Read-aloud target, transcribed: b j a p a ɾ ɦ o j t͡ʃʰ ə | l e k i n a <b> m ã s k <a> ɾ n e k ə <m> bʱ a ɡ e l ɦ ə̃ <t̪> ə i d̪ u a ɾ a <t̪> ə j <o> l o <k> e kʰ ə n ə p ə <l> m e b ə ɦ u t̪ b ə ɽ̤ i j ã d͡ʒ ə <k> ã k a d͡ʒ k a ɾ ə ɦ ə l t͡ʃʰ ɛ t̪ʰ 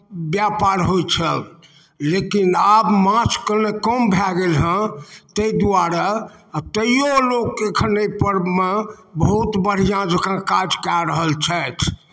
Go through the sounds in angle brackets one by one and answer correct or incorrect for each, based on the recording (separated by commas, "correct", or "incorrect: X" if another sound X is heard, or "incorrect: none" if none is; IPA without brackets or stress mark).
correct, incorrect: ə, correct, correct, correct, correct, correct, incorrect: ɾ, correct